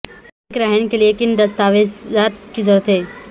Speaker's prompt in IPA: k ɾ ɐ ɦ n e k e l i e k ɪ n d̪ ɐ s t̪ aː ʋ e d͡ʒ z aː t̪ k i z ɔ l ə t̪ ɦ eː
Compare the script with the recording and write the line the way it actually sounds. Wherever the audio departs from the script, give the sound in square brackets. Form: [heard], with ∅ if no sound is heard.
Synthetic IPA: k ɾ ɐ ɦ n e k e l i e k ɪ n d̪ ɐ s t̪ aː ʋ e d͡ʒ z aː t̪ k i z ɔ [ɾ] ə t̪ ɦ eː